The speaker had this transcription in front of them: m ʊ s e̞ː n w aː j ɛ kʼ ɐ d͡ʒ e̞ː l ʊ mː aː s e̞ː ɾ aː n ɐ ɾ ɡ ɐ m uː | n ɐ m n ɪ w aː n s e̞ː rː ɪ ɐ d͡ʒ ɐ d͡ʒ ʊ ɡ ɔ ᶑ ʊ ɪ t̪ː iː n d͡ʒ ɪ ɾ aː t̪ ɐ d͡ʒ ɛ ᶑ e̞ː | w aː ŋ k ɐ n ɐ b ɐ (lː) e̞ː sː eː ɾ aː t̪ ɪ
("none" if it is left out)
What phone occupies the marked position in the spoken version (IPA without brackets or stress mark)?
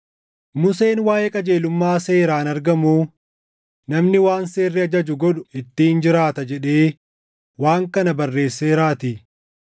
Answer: rː